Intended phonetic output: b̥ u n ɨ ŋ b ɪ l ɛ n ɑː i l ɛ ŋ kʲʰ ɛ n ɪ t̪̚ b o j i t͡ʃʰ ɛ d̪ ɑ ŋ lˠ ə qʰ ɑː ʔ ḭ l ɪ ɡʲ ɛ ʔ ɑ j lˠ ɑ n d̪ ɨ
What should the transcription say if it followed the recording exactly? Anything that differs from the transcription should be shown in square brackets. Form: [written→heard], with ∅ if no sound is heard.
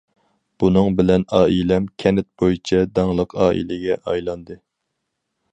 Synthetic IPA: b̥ u n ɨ ŋ b ɪ l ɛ n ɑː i l ɛ [ŋ→m] kʲʰ ɛ n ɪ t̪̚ b o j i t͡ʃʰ ɛ d̪ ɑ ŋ lˠ ə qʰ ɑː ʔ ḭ l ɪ ɡʲ ɛ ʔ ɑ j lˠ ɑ n d̪ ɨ